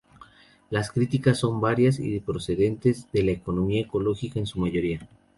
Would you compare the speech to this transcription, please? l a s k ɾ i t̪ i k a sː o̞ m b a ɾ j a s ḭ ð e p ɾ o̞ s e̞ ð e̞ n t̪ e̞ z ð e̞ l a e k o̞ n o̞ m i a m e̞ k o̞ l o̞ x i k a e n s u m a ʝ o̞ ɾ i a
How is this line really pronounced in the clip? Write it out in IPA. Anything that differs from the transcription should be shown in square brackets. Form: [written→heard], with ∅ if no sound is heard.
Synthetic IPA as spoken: l a s k ɾ i t̪ i k a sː o̞ m b a ɾ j a s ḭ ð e p ɾ o̞ s e̞ ð e̞ n t̪ e̞ z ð e̞ l a e k o̞ n o̞ m i a [m→∅] e̞ k o̞ l o̞ x i k a e n s u m a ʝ o̞ ɾ i a